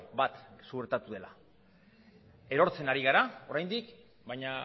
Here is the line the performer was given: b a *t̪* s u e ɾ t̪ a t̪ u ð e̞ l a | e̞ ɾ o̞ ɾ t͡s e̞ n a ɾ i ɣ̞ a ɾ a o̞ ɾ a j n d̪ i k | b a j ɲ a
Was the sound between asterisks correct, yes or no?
yes